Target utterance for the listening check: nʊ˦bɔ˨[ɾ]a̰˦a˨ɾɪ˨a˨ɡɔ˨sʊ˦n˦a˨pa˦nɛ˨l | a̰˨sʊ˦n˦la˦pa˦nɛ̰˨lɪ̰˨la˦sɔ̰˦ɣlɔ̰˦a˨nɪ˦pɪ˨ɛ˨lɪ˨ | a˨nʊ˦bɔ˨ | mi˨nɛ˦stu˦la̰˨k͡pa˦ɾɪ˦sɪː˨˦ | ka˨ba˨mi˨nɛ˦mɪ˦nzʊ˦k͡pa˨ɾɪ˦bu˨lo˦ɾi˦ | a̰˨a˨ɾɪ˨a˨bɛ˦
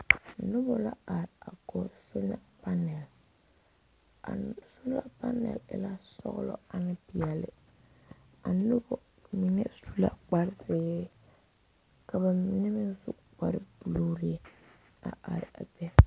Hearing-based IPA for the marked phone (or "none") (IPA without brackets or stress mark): l